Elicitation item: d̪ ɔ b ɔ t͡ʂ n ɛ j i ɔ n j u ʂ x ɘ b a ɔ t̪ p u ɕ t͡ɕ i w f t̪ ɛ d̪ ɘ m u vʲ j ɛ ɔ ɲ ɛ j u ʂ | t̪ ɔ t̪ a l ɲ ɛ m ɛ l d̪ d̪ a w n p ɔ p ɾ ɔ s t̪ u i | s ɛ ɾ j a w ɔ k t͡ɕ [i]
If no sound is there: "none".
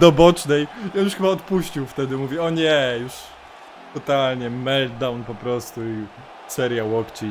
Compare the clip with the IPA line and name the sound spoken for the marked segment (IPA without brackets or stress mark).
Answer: i